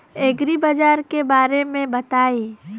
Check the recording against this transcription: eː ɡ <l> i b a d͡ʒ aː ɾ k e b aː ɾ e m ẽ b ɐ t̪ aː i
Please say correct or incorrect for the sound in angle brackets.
incorrect: ɾ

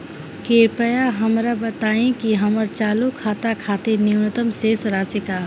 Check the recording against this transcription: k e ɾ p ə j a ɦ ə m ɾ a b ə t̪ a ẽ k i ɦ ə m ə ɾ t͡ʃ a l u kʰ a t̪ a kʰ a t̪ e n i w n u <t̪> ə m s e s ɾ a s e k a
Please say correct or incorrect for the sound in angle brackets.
correct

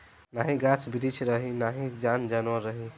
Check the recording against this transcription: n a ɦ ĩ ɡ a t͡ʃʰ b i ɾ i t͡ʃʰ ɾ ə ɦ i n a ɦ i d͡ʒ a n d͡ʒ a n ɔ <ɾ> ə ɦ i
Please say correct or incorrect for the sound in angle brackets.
correct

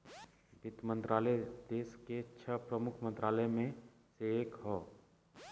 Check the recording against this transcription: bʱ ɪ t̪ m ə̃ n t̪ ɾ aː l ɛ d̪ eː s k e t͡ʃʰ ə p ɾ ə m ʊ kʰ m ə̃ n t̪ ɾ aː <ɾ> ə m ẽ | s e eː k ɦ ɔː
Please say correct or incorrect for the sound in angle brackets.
incorrect: l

